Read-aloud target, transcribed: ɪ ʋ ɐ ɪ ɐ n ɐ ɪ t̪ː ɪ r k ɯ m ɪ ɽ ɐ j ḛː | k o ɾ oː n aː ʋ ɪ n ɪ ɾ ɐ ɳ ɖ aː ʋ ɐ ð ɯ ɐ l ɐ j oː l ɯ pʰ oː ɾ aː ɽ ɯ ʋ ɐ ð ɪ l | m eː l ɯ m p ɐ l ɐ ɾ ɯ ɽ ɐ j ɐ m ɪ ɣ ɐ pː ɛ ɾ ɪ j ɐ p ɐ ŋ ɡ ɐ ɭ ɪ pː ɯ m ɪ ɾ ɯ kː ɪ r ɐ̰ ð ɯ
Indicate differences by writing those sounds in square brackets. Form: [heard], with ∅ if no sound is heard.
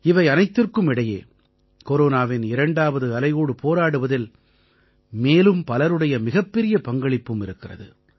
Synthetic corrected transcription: ɪ ʋ ɐ ɪ ɐ n ɐ ɪ t̪ː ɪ r k ɯ m ɪ ɽ ɐ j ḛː | k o ɾ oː n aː ʋ ɪ n ɪ ɾ ɐ ɳ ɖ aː ʋ ɐ ð ɯ ɐ l ɐ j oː [ɽ] ɯ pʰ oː ɾ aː ɽ ɯ ʋ ɐ ð ɪ l | m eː l ɯ m p ɐ l ɐ ɾ ɯ ɽ ɐ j ɐ m ɪ ɣ ɐ pː ɛ ɾ ɪ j ɐ p ɐ ŋ ɡ ɐ ɭ ɪ pː ɯ m ɪ ɾ ɯ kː ɪ r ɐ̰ ð ɯ

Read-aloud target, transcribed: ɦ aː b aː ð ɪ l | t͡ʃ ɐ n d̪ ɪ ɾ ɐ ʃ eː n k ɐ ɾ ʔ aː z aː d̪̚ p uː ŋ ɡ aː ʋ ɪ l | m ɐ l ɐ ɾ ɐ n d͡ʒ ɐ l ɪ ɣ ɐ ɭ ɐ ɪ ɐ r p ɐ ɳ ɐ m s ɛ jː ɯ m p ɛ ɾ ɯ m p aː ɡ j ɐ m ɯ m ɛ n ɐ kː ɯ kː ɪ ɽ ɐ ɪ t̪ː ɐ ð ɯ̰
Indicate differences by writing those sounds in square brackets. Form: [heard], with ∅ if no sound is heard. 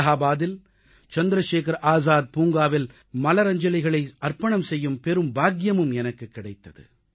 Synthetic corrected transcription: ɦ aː b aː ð ɪ l | t͡ʃ ɐ n d̪ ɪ ɾ ɐ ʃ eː [∅] k ɐ ɾ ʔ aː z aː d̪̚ p uː ŋ ɡ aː ʋ ɪ l | m ɐ l ɐ ɾ ɐ [ɲ] d͡ʒ ɐ l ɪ ɣ ɐ ɭ ɐ ɪ ɐ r p ɐ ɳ ɐ m s ɛ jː ɯ m p ɛ ɾ ɯ m [b] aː ɡ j ɐ m ɯ m ɛ n ɐ kː ɯ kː ɪ ɽ ɐ ɪ t̪ː ɐ ð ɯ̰

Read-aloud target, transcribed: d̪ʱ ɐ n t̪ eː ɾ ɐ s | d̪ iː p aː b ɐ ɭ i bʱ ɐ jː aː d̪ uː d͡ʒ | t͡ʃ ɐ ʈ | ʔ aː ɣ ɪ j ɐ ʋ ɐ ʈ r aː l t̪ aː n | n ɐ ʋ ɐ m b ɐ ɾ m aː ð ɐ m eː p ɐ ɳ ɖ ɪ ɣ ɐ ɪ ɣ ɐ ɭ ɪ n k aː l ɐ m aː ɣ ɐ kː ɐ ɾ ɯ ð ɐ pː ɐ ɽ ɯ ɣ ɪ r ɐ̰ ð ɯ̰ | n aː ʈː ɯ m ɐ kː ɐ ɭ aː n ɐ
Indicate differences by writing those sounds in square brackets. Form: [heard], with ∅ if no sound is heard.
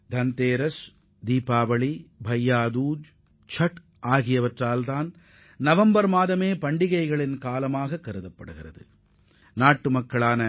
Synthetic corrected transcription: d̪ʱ ɐ n t̪ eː ɾ ɐ s | d̪ iː p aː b ɐ ɭ i bʱ ɐ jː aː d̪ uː d͡ʒ | t͡ʃ ɐ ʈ | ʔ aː ɣ ɪ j ɐ ʋ ɐ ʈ r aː l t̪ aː n | n ɐ ʋ ɐ m b ɐ ɾ m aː ð ɐ m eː p ɐ ɳ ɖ ɪ ɣ ɐ ɪ ɣ ɐ ɭ ɪ n k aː l ɐ m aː ɣ ɐ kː ɐ ɾ ɯ ð ɐ pː ɐ ɽ ɯ ɣ ɪ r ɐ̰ ð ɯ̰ | n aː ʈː ɯ m ɐ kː ɐ ɭ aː n ɐ

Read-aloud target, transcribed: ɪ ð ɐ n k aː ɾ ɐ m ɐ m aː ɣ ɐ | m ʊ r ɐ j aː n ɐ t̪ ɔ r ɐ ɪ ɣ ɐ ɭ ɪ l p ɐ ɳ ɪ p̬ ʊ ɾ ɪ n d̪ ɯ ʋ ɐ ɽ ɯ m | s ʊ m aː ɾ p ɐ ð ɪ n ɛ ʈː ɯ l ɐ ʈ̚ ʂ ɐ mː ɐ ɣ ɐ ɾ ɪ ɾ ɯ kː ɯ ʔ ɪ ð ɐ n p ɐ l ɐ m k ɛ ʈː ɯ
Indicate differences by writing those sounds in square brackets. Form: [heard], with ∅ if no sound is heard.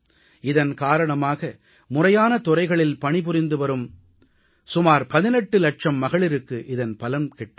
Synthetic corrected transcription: ɪ ð ɐ n k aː ɾ ɐ [ɳ] ɐ m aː ɣ ɐ | m ʊ r ɐ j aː n ɐ t̪ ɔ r ɐ ɪ ɣ ɐ ɭ ɪ l p ɐ ɳ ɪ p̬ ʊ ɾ ɪ n d̪ ɯ ʋ ɐ [ɾ] ɯ m | s ʊ m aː ɾ p ɐ ð ɪ n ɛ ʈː ɯ l ɐ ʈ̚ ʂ ɐ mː ɐ ɣ ɐ [ɭ] ɪ ɾ ɯ kː ɯ ʔ ɪ ð ɐ n p ɐ l ɐ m k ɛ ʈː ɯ

